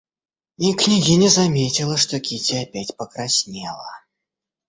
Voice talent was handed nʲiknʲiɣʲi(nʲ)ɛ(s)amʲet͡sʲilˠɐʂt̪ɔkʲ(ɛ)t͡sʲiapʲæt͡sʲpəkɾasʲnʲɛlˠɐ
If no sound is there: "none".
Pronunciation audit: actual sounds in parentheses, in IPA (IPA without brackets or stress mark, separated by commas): nʲ, z, i